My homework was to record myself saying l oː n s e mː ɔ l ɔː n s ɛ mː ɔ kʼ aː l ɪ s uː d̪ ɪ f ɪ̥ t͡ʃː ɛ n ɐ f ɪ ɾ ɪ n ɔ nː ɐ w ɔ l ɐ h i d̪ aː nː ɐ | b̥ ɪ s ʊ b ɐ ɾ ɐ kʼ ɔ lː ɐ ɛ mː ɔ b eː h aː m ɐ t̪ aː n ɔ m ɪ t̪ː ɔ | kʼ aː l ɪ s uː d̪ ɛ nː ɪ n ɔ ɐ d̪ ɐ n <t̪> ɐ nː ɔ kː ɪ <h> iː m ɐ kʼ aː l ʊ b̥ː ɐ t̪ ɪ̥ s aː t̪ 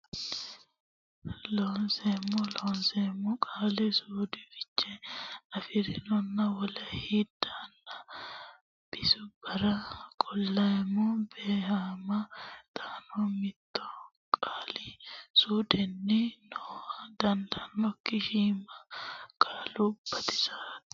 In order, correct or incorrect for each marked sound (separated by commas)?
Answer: incorrect, incorrect